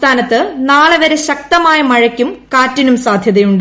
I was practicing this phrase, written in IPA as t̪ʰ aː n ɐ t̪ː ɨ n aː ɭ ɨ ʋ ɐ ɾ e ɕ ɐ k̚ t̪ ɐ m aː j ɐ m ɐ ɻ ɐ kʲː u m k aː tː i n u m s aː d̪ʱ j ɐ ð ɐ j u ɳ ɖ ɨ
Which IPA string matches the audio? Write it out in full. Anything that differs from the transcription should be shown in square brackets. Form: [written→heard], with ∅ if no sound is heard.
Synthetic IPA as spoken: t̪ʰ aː n ɐ t̪ː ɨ n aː ɭ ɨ ʋ ɐ ɾ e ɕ ɐ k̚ t̪ ɐ m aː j ɐ m ɐ ɻ ɐ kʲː u m k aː tː i n u m s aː d̪ʱ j ɐ ð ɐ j u ɳ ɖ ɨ

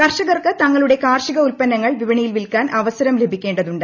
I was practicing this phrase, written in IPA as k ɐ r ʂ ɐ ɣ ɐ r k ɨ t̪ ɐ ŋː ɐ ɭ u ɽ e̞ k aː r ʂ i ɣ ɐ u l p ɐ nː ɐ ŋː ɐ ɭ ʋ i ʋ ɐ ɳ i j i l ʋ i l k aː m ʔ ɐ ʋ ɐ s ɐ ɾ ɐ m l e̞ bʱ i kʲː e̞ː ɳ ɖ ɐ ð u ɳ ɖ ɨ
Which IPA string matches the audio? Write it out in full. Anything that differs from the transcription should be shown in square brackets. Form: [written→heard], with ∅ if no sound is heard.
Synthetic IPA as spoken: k ɐ r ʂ ɐ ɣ ɐ r k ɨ t̪ ɐ ŋː ɐ ɭ u ɽ e̞ k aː r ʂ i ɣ ɐ u l p ɐ nː ɐ ŋː ɐ ɭ ʋ i ʋ ɐ ɳ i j i l ʋ i l k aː [m→n] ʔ ɐ ʋ ɐ s ɐ ɾ ɐ m l e̞ bʱ i kʲː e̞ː ɳ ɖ ɐ ð u ɳ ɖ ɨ

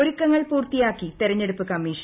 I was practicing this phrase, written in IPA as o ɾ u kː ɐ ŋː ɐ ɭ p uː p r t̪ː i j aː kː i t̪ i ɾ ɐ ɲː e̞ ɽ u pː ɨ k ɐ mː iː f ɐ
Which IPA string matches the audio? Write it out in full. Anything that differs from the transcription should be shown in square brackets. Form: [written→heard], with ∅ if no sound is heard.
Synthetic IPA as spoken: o ɾ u kː ɐ ŋː ɐ ɭ p uː [p→∅] r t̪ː i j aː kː i t̪ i ɾ ɐ ɲː e̞ ɽ u pː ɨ k ɐ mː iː [f→ʂ] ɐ

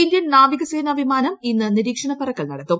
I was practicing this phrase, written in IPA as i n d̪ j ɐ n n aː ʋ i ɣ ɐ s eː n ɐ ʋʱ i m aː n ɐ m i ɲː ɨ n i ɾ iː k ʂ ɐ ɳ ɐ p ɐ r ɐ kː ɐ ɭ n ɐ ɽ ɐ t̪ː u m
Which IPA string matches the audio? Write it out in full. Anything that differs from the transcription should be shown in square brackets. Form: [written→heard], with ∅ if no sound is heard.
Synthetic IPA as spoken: i n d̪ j ɐ n n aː ʋ i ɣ ɐ s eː n ɐ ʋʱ i m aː n ɐ m i [ɲː→nː] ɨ n i ɾ iː k ʂ ɐ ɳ ɐ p ɐ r ɐ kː ɐ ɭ n ɐ ɽ ɐ t̪ː u m

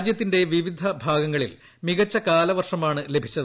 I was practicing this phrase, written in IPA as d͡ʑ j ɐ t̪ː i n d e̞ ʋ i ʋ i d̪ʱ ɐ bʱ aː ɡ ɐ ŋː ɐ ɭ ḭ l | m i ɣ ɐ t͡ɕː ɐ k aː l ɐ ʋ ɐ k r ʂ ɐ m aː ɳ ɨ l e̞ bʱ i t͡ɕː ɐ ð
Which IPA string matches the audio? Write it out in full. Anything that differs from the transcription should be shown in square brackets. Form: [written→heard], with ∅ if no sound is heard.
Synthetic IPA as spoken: d͡ʑ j ɐ t̪ː i n d e̞ ʋ i ʋ i d̪ʱ ɐ bʱ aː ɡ ɐ ŋː ɐ ɭ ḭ l | m i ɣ ɐ t͡ɕː ɐ k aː l ɐ ʋ ɐ [k→∅] r ʂ ɐ m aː ɳ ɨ l e̞ bʱ i t͡ɕː ɐ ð

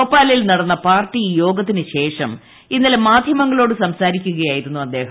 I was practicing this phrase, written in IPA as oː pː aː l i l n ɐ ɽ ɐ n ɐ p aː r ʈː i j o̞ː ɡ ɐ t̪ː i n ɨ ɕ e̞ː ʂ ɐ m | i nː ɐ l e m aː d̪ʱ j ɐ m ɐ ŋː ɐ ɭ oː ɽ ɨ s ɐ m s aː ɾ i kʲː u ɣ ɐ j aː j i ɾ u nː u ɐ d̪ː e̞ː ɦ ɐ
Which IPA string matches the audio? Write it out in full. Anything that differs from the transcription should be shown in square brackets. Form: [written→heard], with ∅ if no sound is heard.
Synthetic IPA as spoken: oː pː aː l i l n ɐ ɽ ɐ [n→nː] ɐ p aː r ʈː i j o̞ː ɡ ɐ t̪ː i n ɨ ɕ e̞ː ʂ ɐ m | i nː ɐ l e m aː d̪ʱ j ɐ m ɐ ŋː ɐ ɭ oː ɽ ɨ s ɐ m s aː ɾ i kʲː u ɣ ɐ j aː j i ɾ u nː u ɐ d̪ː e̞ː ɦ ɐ

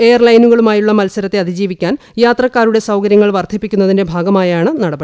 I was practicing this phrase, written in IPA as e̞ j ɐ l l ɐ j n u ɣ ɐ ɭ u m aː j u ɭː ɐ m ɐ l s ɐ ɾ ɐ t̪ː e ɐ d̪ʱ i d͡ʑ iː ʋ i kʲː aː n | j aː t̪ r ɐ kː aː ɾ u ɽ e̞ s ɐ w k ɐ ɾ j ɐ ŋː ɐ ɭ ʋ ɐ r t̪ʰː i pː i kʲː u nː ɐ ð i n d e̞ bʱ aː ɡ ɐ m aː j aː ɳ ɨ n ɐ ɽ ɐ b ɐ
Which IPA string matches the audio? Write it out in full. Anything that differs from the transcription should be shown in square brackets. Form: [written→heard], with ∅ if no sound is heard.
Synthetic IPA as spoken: e̞ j ɐ [l→r] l ɐ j n u ɣ ɐ ɭ u m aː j u ɭː ɐ m ɐ l s ɐ ɾ ɐ t̪ː e ɐ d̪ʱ i d͡ʑ iː ʋ i kʲː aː n | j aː t̪ r ɐ kː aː ɾ u ɽ e̞ s ɐ w k ɐ ɾ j ɐ ŋː ɐ ɭ ʋ ɐ r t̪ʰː i pː i kʲː u nː ɐ ð i n d e̞ bʱ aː ɡ ɐ m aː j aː ɳ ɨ n ɐ ɽ ɐ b ɐ

